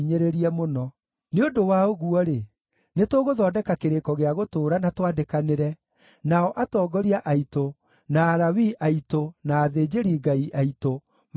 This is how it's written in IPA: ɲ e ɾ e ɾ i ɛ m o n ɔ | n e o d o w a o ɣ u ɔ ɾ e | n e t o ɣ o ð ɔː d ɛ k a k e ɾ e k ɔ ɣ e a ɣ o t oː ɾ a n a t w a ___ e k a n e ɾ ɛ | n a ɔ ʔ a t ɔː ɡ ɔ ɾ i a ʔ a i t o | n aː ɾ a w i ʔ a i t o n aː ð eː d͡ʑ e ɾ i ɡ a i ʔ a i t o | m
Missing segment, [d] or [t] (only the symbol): d